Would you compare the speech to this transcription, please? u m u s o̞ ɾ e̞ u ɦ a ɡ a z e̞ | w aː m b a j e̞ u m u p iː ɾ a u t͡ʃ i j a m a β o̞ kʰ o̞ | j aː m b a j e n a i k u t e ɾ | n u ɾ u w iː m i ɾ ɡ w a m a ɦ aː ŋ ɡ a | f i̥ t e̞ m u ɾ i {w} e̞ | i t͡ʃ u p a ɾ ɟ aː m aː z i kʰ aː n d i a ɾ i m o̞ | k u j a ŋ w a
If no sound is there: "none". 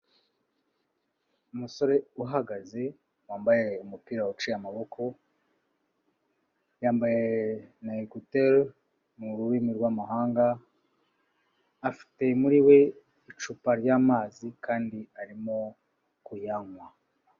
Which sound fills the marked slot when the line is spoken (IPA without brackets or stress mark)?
w